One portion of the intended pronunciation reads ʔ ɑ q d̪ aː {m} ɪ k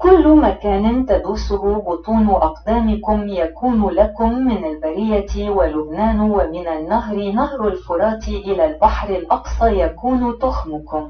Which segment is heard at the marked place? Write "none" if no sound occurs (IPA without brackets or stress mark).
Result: m